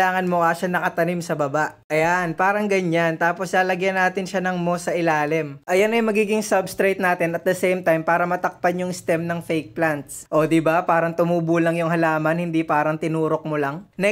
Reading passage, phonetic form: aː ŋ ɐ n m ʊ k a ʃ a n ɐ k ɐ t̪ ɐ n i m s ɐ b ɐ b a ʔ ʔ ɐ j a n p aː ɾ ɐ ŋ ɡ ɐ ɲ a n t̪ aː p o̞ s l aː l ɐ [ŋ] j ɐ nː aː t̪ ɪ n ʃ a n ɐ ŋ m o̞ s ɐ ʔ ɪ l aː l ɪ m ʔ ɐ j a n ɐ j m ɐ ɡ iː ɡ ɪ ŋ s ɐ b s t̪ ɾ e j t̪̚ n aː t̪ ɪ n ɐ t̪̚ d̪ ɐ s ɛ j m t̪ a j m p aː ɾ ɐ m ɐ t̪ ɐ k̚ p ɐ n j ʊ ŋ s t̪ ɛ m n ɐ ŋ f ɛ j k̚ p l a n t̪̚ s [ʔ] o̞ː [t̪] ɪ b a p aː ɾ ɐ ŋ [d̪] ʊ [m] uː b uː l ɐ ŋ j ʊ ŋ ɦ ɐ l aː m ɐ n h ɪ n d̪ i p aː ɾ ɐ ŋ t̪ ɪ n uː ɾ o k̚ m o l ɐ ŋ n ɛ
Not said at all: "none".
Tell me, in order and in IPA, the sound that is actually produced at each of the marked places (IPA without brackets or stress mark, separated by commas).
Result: ɡ, ʔ, d̪, t̪, m